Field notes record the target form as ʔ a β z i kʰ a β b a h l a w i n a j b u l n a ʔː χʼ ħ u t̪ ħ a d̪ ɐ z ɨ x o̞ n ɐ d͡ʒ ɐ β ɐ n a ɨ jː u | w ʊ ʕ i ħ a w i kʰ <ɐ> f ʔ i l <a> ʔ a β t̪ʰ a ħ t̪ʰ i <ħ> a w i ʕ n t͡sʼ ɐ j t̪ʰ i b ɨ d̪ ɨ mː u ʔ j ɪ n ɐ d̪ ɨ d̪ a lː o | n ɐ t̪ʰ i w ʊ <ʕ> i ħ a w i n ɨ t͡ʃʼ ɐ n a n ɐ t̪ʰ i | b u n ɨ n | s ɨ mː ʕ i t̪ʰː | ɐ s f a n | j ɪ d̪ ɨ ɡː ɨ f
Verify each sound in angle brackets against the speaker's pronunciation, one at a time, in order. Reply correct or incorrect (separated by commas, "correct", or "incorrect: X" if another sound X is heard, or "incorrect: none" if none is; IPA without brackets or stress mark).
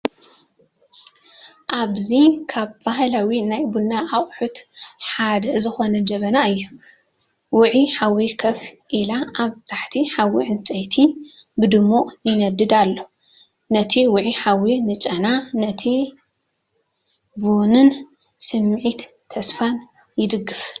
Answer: correct, correct, correct, correct